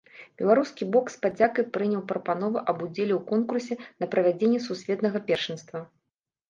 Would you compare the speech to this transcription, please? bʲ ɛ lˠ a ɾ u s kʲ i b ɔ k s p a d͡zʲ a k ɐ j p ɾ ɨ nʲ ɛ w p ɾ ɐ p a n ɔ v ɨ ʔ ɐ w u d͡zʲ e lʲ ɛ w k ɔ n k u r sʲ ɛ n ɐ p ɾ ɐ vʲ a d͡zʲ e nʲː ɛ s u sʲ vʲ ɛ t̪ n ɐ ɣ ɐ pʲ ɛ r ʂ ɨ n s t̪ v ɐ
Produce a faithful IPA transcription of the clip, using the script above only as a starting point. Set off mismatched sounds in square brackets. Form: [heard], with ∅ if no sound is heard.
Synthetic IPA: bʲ ɛ lˠ a ɾ u s kʲ i b ɔ k s p a d͡zʲ a k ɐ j p ɾ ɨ nʲ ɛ w p ɾ ɐ p a n ɔ v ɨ ʔ ɐ [b] u d͡zʲ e lʲ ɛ w k ɔ n k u r sʲ ɛ n ɐ p ɾ ɐ vʲ a d͡zʲ e nʲː ɛ s u sʲ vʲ ɛ t̪ n ɐ ɣ ɐ pʲ ɛ r ʂ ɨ n s t̪ v ɐ

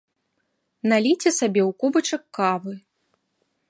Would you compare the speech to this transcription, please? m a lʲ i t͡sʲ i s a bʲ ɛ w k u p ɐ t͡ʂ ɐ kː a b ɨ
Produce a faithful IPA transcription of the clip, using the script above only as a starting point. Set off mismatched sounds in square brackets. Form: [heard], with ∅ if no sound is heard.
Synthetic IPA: [n] a lʲ i t͡sʲ [ɛ] s a bʲ ɛ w k u [b] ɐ t͡ʂ ɐ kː a [v] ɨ

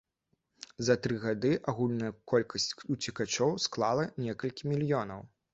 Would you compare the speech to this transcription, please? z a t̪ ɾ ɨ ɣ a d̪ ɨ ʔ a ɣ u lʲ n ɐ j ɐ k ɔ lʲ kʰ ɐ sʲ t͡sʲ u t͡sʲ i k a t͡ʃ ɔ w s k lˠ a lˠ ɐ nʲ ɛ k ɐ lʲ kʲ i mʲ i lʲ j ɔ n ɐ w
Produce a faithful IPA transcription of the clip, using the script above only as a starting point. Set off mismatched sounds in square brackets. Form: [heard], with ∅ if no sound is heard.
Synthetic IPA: z [ɐ] t̪ ɾ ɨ ɣ a d̪ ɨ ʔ a ɣ u lʲ n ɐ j ɐ k ɔ lʲ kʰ ɐ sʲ t͡sʲ u t͡sʲ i k a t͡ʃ ɔ w s k lˠ a lˠ ɐ nʲ ɛ k ɐ lʲ kʲ i mʲ i lʲ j ɔ n ɐ w

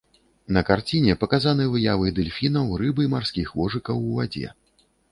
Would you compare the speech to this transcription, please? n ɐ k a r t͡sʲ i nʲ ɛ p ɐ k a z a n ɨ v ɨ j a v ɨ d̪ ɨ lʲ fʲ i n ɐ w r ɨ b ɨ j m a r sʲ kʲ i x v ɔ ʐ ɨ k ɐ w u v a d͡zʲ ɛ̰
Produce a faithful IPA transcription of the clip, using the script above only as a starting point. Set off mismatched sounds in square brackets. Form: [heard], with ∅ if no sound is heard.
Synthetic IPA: n ɐ k a r t͡sʲ i nʲ ɛ p ɐ k a z a n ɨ v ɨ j a v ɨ d̪ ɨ lʲ fʲ i n ɐ w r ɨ b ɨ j m a r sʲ kʲ i x v ɔ ʐ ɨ k ɐ w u v a d͡zʲ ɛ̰

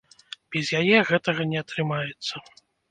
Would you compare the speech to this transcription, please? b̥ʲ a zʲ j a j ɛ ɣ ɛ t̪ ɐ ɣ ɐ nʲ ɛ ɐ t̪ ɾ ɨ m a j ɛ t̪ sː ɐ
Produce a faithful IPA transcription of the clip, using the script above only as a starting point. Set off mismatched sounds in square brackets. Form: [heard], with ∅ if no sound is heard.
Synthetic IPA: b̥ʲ [ɛ] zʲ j a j ɛ ɣ ɛ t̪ ɐ ɣ ɐ nʲ ɛ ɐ t̪ ɾ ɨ m a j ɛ t̪ sː ɐ

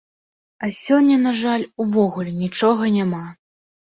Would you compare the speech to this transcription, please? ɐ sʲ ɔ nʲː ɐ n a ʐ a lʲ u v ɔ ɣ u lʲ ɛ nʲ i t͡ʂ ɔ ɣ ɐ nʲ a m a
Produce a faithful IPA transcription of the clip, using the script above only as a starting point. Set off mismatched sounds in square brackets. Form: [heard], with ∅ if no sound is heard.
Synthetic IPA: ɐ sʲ ɔ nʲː ɐ n a ʐ a lʲ u v ɔ ɣ u lʲ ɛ nʲ i t͡ʂ ɔ ɣ ɐ nʲ a m a

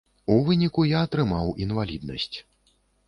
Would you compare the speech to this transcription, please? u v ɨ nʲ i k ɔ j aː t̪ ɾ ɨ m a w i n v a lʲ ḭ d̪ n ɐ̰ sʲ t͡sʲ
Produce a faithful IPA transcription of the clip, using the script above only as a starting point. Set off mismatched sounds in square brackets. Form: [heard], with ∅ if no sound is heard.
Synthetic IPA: u v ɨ nʲ i k [u] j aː t̪ ɾ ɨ m a w i n v a lʲ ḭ d̪ n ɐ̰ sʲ t͡sʲ

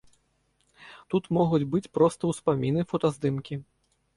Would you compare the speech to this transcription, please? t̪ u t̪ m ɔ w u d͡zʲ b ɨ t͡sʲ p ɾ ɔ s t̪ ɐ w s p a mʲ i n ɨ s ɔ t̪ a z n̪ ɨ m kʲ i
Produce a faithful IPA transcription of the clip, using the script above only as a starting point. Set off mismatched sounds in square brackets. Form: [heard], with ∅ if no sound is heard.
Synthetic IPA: t̪ u t̪ m ɔ [ɣ] u d͡zʲ b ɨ t͡sʲ p ɾ ɔ s t̪ ɐ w s p a mʲ i n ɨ [f] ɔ t̪ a z [d̪] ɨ m kʲ i

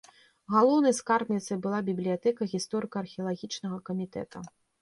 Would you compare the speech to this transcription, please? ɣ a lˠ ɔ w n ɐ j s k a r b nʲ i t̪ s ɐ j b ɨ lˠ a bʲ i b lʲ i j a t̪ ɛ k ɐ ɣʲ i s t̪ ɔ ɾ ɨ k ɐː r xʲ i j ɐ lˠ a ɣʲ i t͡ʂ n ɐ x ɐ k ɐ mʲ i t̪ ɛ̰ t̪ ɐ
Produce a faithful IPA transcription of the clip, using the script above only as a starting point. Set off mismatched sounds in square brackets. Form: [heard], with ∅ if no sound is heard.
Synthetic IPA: ɣ a lˠ ɔ w n ɐ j s k a r b nʲ i t̪ s ɐ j b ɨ lˠ a bʲ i b lʲ i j a t̪ ɛ k ɐ ɣʲ i s t̪ ɔ ɾ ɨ k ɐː r xʲ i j ɐ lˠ a ɣʲ i t͡ʂ n ɐ [ɣ] ɐ k ɐ mʲ i t̪ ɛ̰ t̪ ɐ

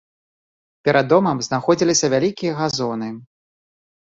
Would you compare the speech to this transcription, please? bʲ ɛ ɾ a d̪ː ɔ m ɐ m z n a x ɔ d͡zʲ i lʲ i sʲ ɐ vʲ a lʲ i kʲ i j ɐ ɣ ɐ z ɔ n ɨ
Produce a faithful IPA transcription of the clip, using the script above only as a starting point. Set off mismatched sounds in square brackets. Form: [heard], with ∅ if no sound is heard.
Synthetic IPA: [pʲ] ɛ ɾ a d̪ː ɔ m ɐ m z n a x ɔ d͡zʲ i lʲ i sʲ ɐ vʲ a lʲ i kʲ i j ɐ ɣ [a] z ɔ n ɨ

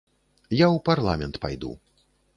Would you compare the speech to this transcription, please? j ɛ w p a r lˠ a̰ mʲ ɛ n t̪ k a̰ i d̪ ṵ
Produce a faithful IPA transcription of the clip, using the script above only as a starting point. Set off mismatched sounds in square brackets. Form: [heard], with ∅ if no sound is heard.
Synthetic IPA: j [a] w p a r lˠ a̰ mʲ ɛ n t̪ [p] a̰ [j] d̪ ṵ

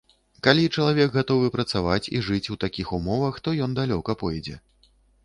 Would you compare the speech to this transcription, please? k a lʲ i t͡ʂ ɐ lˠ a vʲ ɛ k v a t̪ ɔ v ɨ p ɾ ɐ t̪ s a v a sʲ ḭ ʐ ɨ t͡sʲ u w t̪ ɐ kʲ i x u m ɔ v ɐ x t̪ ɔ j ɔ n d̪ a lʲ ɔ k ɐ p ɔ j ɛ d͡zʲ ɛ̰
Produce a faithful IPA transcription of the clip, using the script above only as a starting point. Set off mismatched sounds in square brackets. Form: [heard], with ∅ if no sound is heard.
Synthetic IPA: k a lʲ i t͡ʂ ɐ lˠ a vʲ ɛ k [ɣ] a t̪ ɔ v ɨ p ɾ ɐ t̪ s a v a [t͡sʲ] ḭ ʐ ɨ t͡sʲ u w t̪ [a] kʲ i x u m ɔ v ɐ x t̪ ɔ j ɔ n d̪ a lʲ ɔ k ɐ p ɔ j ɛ d͡zʲ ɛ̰

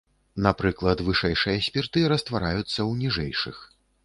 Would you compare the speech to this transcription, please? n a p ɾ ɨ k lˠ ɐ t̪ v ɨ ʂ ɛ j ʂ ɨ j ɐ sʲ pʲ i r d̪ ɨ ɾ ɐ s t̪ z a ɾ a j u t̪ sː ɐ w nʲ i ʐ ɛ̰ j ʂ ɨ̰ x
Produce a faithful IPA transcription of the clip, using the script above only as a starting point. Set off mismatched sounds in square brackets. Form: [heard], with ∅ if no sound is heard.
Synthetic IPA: n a p ɾ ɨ k lˠ ɐ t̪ v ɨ ʂ ɛ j ʂ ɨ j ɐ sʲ pʲ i r [t̪] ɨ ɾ ɐ s t̪ [v] a ɾ a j u t̪ sː ɐ w nʲ i ʐ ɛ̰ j ʂ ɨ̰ x

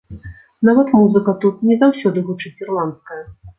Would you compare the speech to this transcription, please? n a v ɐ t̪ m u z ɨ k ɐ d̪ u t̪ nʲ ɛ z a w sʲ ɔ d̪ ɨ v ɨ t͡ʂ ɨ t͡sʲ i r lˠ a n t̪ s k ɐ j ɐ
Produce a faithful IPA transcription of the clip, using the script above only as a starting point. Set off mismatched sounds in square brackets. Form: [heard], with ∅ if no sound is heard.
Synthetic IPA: n a v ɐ t̪ m u z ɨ k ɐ [t̪] u t̪ nʲ ɛ z a w sʲ ɔ d̪ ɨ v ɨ t͡ʂ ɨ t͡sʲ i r lˠ a n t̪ s k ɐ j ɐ

